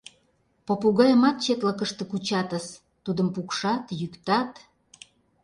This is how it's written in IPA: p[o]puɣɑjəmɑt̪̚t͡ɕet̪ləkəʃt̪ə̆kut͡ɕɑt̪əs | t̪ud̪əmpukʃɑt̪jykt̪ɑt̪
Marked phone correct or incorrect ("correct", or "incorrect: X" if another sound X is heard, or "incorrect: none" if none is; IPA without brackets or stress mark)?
correct